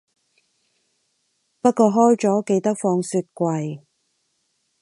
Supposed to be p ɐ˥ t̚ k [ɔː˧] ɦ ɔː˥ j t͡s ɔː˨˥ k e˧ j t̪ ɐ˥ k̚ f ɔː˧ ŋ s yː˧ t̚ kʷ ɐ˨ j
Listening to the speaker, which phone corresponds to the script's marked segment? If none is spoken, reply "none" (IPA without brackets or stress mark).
ɔː˧